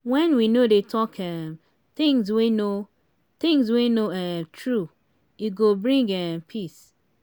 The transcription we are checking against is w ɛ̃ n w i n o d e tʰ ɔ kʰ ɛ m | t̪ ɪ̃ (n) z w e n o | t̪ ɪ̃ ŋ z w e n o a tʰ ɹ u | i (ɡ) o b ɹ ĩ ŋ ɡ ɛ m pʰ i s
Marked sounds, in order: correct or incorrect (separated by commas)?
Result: incorrect, correct